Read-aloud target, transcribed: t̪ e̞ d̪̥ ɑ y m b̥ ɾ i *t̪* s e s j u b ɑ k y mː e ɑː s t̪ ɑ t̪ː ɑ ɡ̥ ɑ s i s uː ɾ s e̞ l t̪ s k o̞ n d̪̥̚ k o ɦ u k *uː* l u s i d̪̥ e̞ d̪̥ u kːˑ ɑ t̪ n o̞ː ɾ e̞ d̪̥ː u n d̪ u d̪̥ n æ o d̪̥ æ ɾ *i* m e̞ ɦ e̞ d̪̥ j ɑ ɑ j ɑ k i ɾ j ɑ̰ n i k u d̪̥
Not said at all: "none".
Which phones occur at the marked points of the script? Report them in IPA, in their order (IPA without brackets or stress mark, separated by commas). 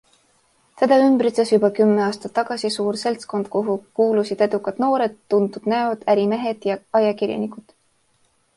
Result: t̪, uː, i